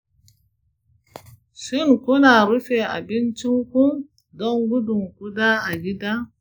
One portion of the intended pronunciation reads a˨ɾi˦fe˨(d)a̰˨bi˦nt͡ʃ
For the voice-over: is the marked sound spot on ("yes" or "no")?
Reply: no